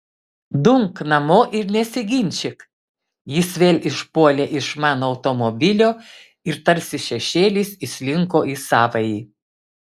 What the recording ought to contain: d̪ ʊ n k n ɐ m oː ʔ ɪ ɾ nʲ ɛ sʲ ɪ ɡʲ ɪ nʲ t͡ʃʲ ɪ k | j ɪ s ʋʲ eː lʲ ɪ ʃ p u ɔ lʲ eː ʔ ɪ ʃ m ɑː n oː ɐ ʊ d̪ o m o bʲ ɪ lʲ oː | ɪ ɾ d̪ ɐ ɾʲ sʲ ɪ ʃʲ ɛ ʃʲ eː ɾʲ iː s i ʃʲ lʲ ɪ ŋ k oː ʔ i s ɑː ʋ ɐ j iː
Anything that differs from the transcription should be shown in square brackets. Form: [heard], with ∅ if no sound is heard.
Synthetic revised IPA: d̪ ʊ [ŋ] k n ɐ m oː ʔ ɪ ɾ nʲ ɛ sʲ ɪ ɡʲ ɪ nʲ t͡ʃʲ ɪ k | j ɪ s ʋʲ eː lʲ ɪ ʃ p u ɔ lʲ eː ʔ ɪ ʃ m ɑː n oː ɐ ʊ [t̪] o m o bʲ ɪ lʲ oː | ɪ ɾ [t̪] ɐ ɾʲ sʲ ɪ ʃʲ ɛ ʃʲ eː [lʲ] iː s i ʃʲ lʲ ɪ ŋ k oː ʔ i s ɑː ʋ ɐ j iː

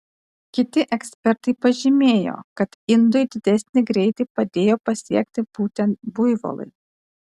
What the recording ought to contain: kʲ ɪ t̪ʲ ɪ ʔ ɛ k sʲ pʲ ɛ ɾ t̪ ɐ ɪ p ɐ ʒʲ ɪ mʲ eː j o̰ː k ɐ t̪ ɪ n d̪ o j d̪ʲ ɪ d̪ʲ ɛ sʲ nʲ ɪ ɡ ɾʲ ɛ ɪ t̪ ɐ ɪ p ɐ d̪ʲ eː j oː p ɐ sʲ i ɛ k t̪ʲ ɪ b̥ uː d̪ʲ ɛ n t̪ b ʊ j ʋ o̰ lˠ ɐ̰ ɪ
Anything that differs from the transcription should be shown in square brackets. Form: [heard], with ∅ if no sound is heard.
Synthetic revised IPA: kʲ ɪ t̪ʲ ɪ ʔ ɛ k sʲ pʲ ɛ ɾ t̪ ɐ ɪ p ɐ ʒʲ ɪ mʲ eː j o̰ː k ɐ t̪ ɪ n d̪ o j d̪ʲ ɪ d̪ʲ ɛ sʲ nʲ ɪ ɡ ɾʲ ɛ ɪ t̪ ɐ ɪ p ɐ d̪ʲ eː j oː p ɐ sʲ i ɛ k t̪ʲ ɪ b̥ uː [t̪ʲ] ɛ n t̪ b ʊ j ʋ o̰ lˠ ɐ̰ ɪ

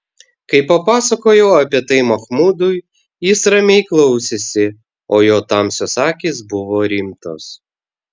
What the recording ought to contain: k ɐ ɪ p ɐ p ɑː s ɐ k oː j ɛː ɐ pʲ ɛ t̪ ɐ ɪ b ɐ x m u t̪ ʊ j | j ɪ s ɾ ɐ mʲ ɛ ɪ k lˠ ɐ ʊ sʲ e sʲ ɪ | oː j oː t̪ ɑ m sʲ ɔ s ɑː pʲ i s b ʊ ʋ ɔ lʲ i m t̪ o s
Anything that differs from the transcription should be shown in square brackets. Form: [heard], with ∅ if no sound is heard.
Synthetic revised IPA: k ɐ ɪ p ɐ p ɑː s ɐ k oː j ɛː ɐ pʲ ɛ t̪ ɐ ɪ [m] ɐ x m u [d̪] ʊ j | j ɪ s ɾ ɐ mʲ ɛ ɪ k lˠ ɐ ʊ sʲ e sʲ ɪ | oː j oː t̪ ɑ m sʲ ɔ s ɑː [kʲ] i s b ʊ ʋ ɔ [ɾʲ] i m t̪ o s

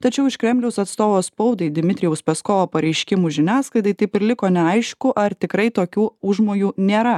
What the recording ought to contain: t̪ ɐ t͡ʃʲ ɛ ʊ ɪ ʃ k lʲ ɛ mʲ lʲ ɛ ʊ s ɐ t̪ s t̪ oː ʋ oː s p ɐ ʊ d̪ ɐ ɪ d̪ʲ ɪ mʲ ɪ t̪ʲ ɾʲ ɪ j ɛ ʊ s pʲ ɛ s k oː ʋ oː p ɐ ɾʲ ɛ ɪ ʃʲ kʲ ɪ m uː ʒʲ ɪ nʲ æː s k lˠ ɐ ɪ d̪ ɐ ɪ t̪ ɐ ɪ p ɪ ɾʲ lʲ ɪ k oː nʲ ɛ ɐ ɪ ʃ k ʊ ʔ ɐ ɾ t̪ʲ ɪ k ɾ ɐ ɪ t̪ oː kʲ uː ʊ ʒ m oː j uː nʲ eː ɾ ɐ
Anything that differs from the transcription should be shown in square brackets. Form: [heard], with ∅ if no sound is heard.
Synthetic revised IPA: t̪ ɐ t͡ʃʲ ɛ ʊ ɪ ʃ k [ɾʲ] ɛ mʲ lʲ ɛ ʊ s ɐ t̪ s t̪ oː ʋ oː s p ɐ ʊ d̪ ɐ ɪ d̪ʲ ɪ mʲ ɪ t̪ʲ ɾʲ ɪ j ɛ ʊ s pʲ ɛ s k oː ʋ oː p ɐ ɾʲ ɛ ɪ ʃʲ kʲ ɪ m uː ʒʲ ɪ nʲ æː s k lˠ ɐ ɪ d̪ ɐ ɪ t̪ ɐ ɪ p ɪ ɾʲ lʲ ɪ k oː nʲ ɛ ɐ ɪ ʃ k ʊ ʔ ɐ ɾ t̪ʲ ɪ k ɾ ɐ ɪ t̪ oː kʲ uː ʊ ʒ m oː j uː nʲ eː ɾ ɐ

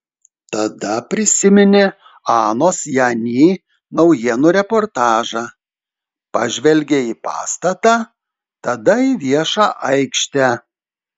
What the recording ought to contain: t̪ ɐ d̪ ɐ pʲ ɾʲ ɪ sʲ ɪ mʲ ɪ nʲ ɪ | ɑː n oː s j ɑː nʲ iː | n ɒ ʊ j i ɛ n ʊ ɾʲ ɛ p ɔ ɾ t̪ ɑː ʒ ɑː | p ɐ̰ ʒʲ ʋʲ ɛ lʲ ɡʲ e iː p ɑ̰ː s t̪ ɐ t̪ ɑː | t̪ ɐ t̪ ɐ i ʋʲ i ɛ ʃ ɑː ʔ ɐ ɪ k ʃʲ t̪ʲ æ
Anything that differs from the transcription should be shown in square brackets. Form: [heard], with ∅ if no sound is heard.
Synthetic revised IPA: t̪ ɐ d̪ ɐ pʲ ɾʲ ɪ sʲ ɪ mʲ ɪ nʲ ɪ | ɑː n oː s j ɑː nʲ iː | n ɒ ʊ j i ɛ n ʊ ɾʲ ɛ p ɔ ɾ t̪ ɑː ʒ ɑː | p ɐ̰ ʒʲ ʋʲ ɛ lʲ ɡʲ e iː p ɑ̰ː s t̪ ɐ t̪ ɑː | t̪ ɐ [d̪] ɐ i ʋʲ i ɛ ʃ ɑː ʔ ɐ ɪ k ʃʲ t̪ʲ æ

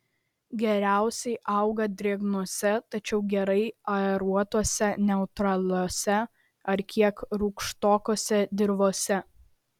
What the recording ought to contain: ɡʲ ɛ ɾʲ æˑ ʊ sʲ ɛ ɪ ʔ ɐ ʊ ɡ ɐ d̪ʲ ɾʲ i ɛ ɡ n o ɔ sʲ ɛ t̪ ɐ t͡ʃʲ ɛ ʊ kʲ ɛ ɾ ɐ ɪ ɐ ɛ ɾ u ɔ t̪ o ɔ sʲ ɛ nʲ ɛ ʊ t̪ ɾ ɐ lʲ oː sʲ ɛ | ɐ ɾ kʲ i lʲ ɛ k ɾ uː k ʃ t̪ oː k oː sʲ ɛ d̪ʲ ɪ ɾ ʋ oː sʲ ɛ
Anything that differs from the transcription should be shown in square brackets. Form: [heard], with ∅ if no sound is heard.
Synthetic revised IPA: ɡʲ ɛ ɾʲ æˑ ʊ sʲ ɛ ɪ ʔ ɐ ʊ ɡ ɐ d̪ʲ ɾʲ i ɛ ɡ n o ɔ sʲ ɛ t̪ ɐ t͡ʃʲ ɛ ʊ [ɡʲ] ɛ ɾ ɐ ɪ ɐ ɛ ɾ u ɔ t̪ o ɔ sʲ ɛ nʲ ɛ ʊ t̪ ɾ ɐ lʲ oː sʲ ɛ | ɐ ɾ kʲ i [∅] ɛ k ɾ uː k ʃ t̪ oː k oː sʲ ɛ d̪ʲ ɪ ɾ ʋ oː sʲ ɛ

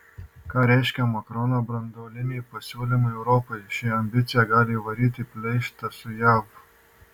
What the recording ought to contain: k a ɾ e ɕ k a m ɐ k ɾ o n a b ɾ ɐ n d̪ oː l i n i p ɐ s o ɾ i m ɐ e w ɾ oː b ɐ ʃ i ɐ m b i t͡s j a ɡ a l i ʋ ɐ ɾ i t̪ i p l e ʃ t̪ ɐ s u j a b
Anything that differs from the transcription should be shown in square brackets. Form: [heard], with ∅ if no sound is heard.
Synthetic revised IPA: k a ɾ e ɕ k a m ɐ k ɾ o n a b ɾ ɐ n d̪ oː l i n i p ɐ s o [l] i m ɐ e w ɾ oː [p] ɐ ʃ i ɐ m b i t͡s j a ɡ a l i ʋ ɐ ɾ i t̪ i p l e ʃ t̪ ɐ s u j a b

